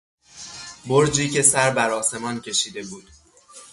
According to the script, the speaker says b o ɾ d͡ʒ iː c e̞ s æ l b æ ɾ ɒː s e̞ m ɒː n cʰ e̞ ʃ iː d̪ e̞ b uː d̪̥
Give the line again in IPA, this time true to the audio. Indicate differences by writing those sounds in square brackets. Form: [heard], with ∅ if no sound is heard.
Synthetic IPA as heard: b o ɾ d͡ʒ iː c e̞ s æ [ɾ] b æ ɾ ɒː s e̞ m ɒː n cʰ e̞ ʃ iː d̪ e̞ b uː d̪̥